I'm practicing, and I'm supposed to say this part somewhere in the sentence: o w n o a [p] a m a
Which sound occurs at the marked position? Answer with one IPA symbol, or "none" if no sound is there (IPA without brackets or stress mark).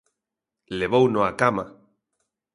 k